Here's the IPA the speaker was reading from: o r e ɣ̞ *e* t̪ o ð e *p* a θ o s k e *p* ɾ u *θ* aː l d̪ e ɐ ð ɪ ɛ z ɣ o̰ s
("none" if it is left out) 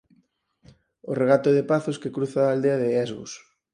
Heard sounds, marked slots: a, p, k, θ

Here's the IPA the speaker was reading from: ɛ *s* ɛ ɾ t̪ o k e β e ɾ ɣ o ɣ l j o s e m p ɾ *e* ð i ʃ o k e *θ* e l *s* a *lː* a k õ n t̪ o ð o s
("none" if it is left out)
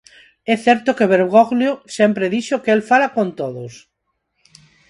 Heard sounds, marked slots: θ, e, none, f, l

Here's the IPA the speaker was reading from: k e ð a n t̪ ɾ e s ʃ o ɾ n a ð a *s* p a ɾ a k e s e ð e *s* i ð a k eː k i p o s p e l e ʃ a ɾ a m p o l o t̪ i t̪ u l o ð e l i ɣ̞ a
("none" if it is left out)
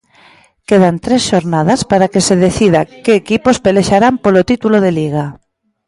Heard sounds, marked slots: s, θ

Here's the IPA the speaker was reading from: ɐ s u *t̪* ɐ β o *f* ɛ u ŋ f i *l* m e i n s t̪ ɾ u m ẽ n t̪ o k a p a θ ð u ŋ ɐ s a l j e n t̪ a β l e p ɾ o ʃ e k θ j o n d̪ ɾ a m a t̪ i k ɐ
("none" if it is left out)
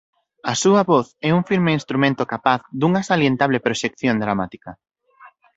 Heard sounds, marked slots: none, θ, ɾ

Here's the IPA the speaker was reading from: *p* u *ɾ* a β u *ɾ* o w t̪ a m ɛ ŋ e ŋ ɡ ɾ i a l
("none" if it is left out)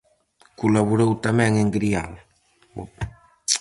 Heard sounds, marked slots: k, l, ɾ

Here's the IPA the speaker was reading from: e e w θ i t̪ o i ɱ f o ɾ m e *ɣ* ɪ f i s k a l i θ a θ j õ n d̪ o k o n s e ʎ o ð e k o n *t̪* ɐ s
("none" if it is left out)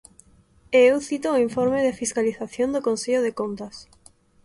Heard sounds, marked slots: ð, t̪

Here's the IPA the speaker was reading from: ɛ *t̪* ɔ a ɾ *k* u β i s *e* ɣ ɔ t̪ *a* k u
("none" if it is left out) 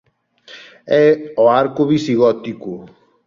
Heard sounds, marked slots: none, k, i, i

